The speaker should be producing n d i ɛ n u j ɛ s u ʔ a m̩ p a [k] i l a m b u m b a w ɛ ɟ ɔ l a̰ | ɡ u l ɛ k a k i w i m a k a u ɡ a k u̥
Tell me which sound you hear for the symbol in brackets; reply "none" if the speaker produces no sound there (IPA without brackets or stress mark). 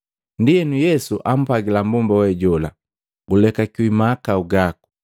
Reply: ɡ